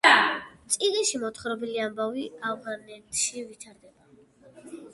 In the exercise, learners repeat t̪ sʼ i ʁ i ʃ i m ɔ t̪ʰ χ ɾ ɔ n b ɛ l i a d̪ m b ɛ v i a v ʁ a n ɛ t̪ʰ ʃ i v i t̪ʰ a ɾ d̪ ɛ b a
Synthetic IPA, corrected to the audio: t̪ sʼ i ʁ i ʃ i m ɔ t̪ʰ χ ɾ ɔ b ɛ l i a m b a v i a v ʁ a n ɛ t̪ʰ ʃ i v i t̪ʰ a ɾ d̪ ɛ b a